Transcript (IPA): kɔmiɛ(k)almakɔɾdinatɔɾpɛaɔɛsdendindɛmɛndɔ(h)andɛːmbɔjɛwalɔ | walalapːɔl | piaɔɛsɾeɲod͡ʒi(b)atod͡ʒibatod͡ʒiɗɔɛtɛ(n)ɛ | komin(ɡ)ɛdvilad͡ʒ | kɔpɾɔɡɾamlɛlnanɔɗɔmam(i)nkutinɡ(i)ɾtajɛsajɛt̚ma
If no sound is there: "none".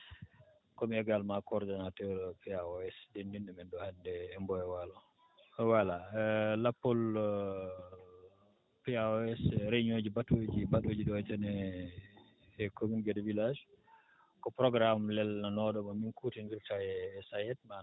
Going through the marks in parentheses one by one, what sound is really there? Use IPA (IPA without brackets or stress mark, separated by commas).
ɡ, h, b, n, ɡ, i, i